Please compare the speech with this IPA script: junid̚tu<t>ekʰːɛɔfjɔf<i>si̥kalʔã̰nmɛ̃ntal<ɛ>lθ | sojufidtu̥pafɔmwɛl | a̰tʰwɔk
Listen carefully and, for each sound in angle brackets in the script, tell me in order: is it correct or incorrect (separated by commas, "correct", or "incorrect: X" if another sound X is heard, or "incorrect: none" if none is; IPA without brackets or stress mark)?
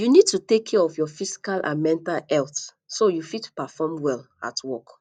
correct, correct, correct